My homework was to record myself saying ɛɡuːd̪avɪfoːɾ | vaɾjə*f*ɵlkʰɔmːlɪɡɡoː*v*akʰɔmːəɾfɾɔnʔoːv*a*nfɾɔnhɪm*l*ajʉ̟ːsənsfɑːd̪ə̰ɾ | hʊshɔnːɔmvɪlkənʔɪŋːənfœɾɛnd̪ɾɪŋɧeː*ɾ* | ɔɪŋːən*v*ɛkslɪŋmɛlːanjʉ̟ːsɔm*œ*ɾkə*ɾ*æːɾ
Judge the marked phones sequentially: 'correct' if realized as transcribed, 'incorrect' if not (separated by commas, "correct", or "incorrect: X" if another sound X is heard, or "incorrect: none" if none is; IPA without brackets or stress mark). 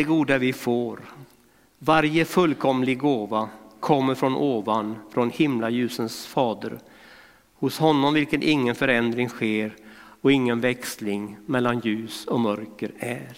correct, correct, correct, correct, correct, correct, correct, correct